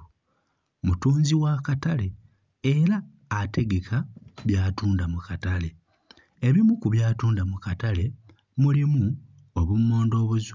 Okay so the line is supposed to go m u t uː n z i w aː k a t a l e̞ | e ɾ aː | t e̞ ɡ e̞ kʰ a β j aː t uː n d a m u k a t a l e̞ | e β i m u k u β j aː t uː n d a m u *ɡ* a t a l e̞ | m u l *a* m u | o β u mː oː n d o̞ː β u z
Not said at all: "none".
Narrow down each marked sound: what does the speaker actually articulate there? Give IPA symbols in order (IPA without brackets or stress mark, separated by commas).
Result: k, i